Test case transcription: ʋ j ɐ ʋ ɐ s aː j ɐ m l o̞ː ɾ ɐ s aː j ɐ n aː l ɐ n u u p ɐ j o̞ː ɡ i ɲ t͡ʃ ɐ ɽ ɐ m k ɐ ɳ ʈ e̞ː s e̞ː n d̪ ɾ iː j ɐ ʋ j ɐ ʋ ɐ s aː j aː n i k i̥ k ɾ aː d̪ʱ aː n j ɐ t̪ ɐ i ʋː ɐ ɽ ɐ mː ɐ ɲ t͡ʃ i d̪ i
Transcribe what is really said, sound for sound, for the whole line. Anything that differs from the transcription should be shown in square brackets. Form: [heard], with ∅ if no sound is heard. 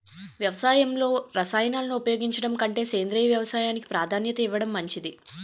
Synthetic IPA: ʋ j ɐ ʋ ɐ s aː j ɐ m l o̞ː ɾ ɐ s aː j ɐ n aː l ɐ n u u p ɐ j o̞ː ɡ i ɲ t͡ʃ ɐ ɽ ɐ m k ɐ ɳ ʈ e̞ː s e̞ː n d̪ ɾ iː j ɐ ʋ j ɐ ʋ ɐ s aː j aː n i k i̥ [p] ɾ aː d̪ʱ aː n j ɐ t̪ ɐ i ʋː ɐ ɽ ɐ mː ɐ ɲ t͡ʃ i d̪ i

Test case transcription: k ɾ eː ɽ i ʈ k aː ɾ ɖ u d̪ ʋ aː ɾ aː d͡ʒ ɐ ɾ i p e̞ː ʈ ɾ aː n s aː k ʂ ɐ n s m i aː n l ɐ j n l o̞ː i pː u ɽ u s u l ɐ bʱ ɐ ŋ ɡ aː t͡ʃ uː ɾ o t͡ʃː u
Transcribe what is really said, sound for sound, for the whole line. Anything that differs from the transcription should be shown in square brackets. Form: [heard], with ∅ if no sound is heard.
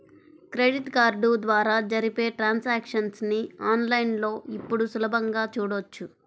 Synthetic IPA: k ɾ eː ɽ i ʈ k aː ɾ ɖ u d̪ ʋ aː ɾ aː d͡ʒ ɐ ɾ i p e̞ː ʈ ɾ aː n s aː k ʂ ɐ n s [n] i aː n l ɐ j n l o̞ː i pː u ɽ u s u l ɐ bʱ ɐ ŋ ɡ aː t͡ʃ uː [ɽ] o t͡ʃː u

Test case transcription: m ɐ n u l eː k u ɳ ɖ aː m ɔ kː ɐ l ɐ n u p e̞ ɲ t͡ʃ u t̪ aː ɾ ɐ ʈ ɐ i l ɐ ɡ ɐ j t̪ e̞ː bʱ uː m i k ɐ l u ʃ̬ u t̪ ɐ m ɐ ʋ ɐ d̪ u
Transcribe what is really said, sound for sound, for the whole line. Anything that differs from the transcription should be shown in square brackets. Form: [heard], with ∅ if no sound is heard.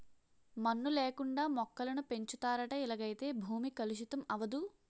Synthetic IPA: m ɐ [nː] u l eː k u ɳ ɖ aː m ɔ kː ɐ l ɐ n u p e̞ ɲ t͡ʃ u t̪ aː ɾ ɐ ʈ ɐ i l ɐ ɡ ɐ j t̪ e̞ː bʱ uː m i k ɐ l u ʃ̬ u t̪ ɐ m ɐ ʋ ɐ d̪ u

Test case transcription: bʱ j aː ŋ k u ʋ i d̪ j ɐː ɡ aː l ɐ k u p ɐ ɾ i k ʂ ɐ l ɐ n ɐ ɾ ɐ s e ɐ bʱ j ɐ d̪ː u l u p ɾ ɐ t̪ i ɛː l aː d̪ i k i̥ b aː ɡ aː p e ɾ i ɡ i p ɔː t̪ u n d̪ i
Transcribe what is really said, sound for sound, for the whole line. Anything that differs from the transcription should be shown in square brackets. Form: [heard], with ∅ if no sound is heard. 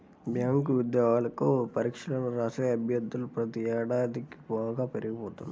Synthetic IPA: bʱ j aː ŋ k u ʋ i d̪ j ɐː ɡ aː l ɐ k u p ɐ ɾ i k ʂ ɐ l ɐ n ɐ ɾ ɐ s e ɐ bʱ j ɐ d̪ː u l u p ɾ ɐ t̪ i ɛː [ɽ] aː d̪ i k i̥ b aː ɡ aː p e ɾ i ɡ i p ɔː t̪ u n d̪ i

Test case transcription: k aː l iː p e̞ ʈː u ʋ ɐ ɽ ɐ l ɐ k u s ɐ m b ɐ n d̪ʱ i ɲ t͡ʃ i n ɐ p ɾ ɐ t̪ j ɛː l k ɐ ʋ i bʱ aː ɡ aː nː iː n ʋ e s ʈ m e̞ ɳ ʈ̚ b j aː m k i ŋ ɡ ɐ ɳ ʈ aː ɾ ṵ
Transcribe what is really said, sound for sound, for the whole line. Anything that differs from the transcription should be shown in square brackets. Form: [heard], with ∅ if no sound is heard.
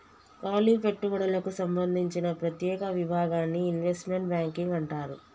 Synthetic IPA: k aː l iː p e̞ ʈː u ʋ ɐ ɽ ɐ l ɐ k u s ɐ m b ɐ n d̪ʱ i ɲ t͡ʃ i n ɐ p ɾ ɐ t̪ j ɛː [∅] k ɐ ʋ i bʱ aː ɡ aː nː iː n ʋ e s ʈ m e̞ ɳ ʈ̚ b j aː [ŋ] k i ŋ ɡ ɐ ɳ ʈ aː ɾ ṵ

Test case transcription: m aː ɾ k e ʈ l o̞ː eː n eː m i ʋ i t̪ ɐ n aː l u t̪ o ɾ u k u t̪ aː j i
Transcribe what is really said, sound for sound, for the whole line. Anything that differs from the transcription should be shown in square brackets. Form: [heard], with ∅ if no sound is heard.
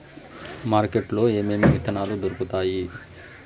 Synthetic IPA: m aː ɾ k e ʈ l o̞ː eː [m] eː m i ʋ i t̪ ɐ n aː l u [d̪] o ɾ u k u t̪ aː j i

